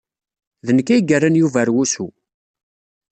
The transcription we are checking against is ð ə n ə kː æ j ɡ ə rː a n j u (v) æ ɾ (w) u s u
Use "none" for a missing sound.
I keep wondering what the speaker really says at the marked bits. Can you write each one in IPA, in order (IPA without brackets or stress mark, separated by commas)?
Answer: v, w